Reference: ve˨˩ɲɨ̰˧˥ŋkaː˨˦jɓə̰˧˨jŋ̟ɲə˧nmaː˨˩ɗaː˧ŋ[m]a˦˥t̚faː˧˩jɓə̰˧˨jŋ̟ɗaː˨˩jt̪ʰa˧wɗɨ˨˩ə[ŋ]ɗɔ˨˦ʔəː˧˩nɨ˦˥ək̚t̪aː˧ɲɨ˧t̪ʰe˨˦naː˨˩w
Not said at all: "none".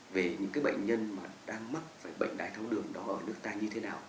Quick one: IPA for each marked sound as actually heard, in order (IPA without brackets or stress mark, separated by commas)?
m, ŋ